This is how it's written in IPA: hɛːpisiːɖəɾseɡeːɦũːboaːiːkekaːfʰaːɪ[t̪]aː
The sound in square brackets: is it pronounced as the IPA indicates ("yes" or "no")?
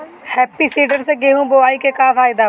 no